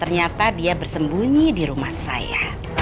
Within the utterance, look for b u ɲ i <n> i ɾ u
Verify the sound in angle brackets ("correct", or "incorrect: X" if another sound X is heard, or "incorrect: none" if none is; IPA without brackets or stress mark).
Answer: incorrect: d